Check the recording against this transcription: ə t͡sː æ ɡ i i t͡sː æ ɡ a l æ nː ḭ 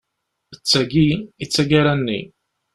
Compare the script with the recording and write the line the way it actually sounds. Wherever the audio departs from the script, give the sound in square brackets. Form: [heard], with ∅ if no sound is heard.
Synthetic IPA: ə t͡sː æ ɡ i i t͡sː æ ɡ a [ɾ] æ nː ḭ